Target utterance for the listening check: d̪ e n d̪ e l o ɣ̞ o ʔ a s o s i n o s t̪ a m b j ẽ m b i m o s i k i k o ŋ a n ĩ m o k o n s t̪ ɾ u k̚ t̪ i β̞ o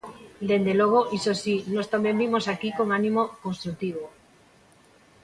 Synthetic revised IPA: d̪ e n d̪ e l o ɣ̞ o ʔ i s o s i n o s t̪ a m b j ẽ m b i m o s a k i k o ŋ a n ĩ m o k o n s t̪ ɾ u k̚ t̪ i β̞ o